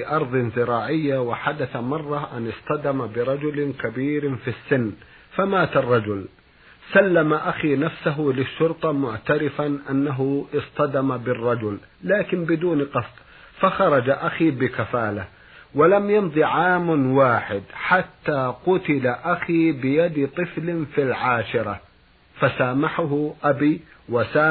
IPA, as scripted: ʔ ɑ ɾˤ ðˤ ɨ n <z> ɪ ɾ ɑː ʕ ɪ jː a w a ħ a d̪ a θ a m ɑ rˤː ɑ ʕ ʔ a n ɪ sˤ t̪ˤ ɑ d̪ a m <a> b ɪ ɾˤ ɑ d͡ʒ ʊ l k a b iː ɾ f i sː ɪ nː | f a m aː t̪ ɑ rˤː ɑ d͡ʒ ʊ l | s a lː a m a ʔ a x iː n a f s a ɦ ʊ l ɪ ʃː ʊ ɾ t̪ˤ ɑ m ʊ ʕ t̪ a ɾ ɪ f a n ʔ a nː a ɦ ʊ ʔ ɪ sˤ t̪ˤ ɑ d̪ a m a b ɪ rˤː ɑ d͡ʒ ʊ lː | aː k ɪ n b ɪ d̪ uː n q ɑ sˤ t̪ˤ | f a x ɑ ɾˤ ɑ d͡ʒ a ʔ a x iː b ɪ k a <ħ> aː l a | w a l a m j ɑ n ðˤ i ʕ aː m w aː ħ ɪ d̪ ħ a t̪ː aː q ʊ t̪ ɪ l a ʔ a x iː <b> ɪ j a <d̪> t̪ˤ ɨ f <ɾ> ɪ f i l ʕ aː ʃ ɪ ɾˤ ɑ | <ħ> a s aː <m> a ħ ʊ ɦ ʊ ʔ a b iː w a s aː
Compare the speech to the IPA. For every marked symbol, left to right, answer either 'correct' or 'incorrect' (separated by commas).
correct, correct, incorrect, correct, correct, incorrect, incorrect, correct